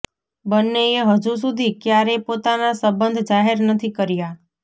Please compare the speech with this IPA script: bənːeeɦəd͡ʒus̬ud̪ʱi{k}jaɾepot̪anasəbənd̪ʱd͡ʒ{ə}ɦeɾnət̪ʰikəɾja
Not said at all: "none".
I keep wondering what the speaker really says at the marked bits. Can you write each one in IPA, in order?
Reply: k, a

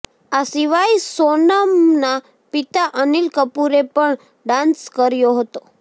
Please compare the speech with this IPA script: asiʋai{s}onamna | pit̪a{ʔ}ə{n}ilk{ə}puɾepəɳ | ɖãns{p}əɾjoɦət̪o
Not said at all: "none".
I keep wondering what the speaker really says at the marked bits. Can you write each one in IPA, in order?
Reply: s, ʔ, n, ə, k

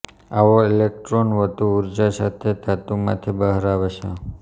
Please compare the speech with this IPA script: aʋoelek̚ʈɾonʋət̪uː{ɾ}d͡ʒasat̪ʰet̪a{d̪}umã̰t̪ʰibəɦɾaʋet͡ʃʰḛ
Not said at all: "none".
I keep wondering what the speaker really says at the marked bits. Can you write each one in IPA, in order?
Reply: ɾ, t̪

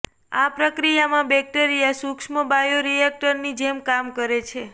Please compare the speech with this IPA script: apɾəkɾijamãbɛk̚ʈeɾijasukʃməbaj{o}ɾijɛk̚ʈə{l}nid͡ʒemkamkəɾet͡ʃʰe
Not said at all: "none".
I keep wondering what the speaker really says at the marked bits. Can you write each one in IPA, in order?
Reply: o, ɾ

